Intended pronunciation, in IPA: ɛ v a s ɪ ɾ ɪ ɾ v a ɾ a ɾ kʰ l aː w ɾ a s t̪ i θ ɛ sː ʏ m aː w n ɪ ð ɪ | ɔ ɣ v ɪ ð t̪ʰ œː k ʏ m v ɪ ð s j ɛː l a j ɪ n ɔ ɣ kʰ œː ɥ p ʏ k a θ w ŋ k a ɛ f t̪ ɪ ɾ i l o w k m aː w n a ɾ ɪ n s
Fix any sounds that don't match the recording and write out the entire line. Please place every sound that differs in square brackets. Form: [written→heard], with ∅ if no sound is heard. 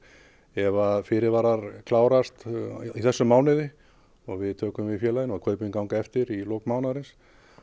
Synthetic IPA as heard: ɛ v a [s→f] ɪ ɾ ɪ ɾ v a ɾ a ɾ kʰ l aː w ɾ a s t̪ i θ ɛ sː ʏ m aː w n ɪ ð ɪ | ɔ ɣ v ɪ ð t̪ʰ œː k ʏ m v ɪ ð [s→f] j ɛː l a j ɪ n ɔ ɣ kʰ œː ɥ p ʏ k a [θ→∅] w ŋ k a ɛ f t̪ ɪ ɾ i l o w k m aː w n a ɾ ɪ n s